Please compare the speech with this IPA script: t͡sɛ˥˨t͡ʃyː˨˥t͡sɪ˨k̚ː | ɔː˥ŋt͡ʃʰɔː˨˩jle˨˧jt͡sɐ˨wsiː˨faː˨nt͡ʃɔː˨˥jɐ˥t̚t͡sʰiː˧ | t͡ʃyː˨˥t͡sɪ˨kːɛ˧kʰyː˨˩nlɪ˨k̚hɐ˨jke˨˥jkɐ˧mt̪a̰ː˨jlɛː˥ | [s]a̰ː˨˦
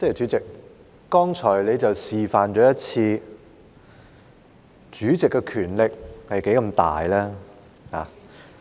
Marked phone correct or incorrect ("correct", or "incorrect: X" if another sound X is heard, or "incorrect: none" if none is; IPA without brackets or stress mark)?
incorrect: h